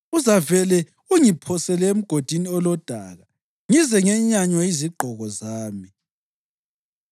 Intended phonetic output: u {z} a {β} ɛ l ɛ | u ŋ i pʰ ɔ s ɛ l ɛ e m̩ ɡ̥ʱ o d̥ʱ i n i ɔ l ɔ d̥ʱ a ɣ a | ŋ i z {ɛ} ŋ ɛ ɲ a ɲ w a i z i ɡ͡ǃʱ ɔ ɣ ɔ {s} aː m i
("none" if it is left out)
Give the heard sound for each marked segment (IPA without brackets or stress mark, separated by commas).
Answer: z, v, ɛ, z